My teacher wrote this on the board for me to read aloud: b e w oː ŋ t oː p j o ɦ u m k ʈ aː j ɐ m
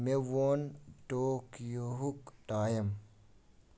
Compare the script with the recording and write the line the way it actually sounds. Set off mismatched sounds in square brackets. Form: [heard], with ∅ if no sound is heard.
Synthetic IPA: [m] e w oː [n] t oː [k] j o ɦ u [∅] k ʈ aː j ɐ m